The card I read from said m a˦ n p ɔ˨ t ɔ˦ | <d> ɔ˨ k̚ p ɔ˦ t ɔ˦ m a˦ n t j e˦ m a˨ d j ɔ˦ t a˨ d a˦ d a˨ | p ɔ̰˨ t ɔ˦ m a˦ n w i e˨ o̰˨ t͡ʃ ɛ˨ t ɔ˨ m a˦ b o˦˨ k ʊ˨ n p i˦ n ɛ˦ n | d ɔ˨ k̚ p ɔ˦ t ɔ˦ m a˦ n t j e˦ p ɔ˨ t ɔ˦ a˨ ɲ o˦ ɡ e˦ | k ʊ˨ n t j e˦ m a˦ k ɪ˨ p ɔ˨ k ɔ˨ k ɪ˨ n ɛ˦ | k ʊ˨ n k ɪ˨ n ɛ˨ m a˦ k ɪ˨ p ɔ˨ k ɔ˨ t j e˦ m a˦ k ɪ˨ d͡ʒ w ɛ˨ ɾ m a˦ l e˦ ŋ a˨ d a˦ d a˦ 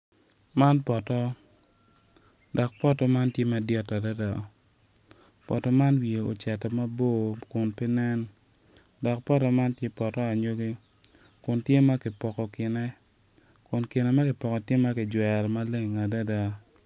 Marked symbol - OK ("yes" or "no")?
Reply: yes